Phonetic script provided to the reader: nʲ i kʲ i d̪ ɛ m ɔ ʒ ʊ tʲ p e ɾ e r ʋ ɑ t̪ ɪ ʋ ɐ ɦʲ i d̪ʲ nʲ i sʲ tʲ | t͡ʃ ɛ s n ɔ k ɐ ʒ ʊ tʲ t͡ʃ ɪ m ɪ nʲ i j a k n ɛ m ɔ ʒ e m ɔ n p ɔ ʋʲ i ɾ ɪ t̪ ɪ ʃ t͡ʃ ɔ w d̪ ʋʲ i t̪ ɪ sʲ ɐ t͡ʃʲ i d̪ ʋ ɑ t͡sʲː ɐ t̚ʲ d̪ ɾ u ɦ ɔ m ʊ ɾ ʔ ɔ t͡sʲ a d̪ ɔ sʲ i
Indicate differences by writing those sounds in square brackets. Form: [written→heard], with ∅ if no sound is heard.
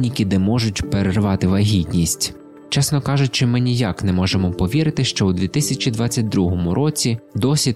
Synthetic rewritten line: nʲ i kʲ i d̪ ɛ m ɔ ʒ ʊ tʲ p e ɾ e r ʋ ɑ t̪ ɪ ʋ ɐ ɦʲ i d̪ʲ nʲ i sʲ tʲ | t͡ʃ ɛ s n ɔ k [ɐ→ɑ] ʒ ʊ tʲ t͡ʃ ɪ m ɪ nʲ i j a k n ɛ m ɔ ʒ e m ɔ [n→∅] p ɔ ʋʲ i ɾ ɪ t̪ ɪ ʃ t͡ʃ ɔ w d̪ ʋʲ i t̪ ɪ sʲ ɐ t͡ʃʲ i d̪ ʋ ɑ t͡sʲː ɐ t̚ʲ d̪ ɾ u ɦ ɔ m ʊ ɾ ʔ ɔ t͡sʲ [a→i] d̪ ɔ sʲ i